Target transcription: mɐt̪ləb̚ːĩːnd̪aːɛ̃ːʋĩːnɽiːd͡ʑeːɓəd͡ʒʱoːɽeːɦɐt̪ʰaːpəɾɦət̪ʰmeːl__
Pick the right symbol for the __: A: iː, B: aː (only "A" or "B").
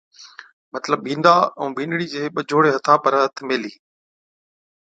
A